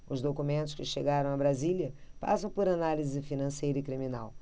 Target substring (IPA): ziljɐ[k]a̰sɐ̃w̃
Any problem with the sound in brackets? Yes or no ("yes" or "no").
yes